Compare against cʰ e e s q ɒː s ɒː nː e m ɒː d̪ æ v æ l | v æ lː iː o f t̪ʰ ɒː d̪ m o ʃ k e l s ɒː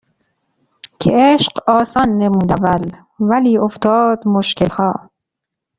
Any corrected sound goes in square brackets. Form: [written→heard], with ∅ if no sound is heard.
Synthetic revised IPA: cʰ e e [s→ʃ] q ɒː s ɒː nː e m [ɒː→uː] d̪ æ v æ l | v æ [lː→l] iː o f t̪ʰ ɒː d̪ m o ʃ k e l [s→h] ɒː